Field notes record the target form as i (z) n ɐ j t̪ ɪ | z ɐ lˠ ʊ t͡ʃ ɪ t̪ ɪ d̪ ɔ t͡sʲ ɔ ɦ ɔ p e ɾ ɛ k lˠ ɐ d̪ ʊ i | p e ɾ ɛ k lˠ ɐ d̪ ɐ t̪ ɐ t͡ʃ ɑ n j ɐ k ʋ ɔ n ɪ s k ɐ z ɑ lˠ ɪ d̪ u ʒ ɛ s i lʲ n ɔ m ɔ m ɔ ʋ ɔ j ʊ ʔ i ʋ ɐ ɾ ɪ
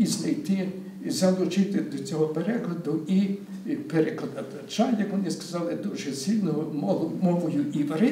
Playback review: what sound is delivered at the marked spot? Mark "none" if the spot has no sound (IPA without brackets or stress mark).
z